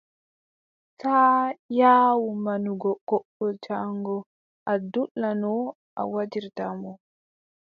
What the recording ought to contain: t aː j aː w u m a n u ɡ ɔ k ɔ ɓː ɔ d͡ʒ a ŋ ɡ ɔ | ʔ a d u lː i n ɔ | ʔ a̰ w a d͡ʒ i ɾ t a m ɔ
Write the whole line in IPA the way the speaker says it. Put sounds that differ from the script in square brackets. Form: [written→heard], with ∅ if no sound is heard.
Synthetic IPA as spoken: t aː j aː w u m a n u ɡ ɔ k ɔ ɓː ɔ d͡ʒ a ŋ ɡ ɔ | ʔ a d u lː [i→a] n ɔ | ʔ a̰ w a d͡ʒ i ɾ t a m ɔ